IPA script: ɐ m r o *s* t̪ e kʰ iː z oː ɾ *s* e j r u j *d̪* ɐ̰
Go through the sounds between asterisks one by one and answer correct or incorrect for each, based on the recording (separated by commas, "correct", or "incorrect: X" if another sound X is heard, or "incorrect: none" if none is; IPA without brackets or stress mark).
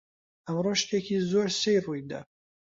incorrect: ʃ, correct, correct